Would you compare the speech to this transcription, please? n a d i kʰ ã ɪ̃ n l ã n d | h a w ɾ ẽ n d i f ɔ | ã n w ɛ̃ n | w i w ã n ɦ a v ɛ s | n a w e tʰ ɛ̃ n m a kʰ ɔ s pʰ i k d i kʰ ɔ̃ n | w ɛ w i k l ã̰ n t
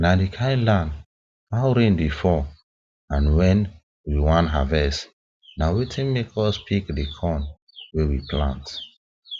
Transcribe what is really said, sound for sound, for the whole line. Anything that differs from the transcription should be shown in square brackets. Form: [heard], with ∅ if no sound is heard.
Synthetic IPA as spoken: n a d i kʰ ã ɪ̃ n l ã n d | h a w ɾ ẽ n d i f ɔ | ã n w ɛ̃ n | w i w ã n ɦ a v ɛ s | n a w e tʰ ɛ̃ n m [e] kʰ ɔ s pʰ i k d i kʰ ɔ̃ n | w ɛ w i [p] l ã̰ n t